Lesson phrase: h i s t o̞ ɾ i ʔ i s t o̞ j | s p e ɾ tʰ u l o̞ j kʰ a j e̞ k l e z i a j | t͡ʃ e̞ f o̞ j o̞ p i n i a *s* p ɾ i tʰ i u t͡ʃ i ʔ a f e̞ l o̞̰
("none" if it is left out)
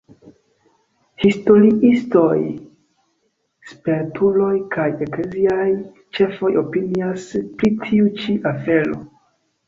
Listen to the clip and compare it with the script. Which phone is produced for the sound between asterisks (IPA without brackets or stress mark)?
s